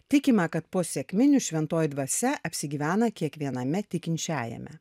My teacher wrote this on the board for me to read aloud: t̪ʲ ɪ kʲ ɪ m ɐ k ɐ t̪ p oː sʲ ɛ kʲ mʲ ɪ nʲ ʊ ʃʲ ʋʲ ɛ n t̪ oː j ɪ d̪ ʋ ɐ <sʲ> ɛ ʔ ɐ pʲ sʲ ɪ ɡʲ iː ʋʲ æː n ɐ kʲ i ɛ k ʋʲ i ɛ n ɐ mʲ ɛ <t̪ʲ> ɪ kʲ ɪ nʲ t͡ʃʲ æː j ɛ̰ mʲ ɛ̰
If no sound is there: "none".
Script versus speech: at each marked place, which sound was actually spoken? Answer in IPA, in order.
sʲ, t̪ʲ

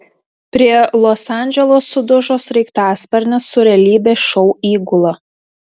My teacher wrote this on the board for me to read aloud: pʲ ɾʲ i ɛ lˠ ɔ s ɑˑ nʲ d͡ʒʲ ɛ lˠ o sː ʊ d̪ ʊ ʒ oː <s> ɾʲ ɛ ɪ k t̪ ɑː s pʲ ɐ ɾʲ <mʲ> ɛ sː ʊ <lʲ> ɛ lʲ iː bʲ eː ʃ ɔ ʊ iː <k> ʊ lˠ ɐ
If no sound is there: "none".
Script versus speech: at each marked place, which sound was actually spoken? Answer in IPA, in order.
s, nʲ, ɾʲ, ɡ

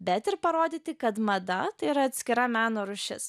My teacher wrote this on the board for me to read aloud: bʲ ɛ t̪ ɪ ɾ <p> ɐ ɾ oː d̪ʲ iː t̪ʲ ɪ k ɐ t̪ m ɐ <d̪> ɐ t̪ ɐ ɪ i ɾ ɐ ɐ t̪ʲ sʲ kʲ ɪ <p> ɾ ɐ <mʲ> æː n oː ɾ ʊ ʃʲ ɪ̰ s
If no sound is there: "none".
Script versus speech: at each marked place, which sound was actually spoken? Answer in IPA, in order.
p, d̪, none, mʲ

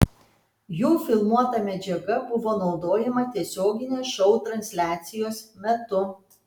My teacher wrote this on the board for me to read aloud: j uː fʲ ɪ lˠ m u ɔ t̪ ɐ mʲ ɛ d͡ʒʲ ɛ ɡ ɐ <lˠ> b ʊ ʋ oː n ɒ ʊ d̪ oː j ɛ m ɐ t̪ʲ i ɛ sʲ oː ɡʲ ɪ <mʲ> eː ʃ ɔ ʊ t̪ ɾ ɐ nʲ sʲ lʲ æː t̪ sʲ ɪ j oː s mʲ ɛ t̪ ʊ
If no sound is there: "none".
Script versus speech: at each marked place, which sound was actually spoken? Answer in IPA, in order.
none, nʲ

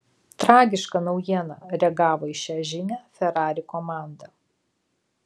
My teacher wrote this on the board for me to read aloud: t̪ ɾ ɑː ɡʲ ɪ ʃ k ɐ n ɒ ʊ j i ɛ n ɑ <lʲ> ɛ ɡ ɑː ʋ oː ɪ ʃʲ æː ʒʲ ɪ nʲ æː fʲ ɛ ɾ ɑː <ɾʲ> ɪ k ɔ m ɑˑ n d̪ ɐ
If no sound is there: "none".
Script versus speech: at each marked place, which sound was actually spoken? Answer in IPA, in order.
ɾʲ, ɾʲ

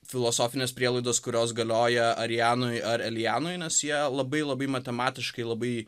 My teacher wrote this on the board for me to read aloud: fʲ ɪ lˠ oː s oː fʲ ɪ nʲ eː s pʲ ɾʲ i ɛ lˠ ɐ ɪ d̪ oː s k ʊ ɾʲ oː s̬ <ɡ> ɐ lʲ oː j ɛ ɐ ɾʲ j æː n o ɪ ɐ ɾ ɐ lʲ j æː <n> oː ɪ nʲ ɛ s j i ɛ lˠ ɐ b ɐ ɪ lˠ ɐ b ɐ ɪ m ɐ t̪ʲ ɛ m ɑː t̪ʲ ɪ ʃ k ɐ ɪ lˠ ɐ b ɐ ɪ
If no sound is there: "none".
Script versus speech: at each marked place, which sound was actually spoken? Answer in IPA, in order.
ɡ, n

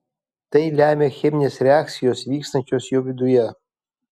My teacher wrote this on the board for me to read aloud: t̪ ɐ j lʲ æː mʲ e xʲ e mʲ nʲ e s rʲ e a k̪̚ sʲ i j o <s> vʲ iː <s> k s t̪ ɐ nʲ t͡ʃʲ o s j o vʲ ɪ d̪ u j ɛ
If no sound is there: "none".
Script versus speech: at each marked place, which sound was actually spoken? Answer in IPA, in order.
s, none

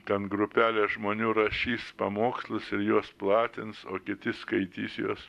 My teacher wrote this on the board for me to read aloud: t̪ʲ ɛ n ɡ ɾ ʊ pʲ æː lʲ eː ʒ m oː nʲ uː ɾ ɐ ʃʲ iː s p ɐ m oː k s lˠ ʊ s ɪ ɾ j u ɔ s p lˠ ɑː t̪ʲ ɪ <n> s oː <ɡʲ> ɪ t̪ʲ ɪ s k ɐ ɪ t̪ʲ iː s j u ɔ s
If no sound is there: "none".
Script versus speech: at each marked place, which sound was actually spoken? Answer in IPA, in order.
n, kʲ

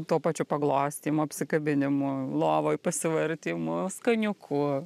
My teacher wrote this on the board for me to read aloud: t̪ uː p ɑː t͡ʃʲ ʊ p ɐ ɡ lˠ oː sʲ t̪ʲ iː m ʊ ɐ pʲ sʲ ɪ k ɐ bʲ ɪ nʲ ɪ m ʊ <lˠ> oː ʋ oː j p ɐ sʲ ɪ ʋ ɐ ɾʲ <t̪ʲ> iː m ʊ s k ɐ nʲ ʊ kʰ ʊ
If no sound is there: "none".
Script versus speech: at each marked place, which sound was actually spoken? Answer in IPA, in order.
lˠ, t̪ʲ

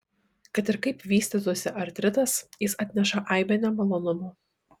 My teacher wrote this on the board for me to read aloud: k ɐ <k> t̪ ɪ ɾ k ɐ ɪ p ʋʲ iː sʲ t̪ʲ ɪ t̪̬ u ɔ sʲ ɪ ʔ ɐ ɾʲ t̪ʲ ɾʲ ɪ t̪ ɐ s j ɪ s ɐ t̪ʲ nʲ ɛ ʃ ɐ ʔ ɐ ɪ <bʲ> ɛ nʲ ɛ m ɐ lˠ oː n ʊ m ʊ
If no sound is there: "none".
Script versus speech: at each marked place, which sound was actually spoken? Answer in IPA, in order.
none, bʲ

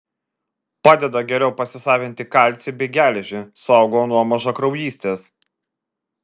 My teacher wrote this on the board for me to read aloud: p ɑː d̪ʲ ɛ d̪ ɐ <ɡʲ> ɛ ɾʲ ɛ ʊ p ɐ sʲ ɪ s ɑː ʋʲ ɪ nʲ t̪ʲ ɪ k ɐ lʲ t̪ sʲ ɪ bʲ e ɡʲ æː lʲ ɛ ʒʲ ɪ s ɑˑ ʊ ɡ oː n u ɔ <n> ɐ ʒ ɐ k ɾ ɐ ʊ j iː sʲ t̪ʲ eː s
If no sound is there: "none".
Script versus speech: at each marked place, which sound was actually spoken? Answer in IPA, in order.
ɡʲ, m

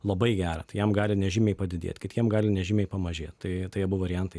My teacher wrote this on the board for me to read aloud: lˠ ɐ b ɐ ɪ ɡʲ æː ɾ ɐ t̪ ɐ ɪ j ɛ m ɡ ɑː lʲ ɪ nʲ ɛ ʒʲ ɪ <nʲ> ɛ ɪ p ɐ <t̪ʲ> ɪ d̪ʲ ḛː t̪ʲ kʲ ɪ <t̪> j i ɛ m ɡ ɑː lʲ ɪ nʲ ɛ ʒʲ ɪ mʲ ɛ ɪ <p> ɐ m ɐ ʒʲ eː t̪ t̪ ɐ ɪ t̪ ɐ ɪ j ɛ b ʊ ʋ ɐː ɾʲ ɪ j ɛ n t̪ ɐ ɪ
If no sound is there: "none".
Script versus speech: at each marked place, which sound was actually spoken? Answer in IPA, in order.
mʲ, d̪ʲ, t̪, p

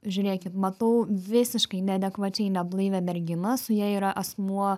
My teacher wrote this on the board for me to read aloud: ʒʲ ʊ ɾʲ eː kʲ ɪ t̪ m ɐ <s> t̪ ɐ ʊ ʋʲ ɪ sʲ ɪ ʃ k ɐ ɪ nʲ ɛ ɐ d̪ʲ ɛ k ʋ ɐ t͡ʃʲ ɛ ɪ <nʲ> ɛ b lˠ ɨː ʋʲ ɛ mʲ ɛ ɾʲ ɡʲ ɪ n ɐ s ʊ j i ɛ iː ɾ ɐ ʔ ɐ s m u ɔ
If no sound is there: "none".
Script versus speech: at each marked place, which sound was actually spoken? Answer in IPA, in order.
none, nʲ

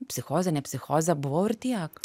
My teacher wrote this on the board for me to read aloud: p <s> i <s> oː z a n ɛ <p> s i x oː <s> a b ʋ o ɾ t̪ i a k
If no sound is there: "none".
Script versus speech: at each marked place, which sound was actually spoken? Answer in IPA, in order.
s, x, p, z

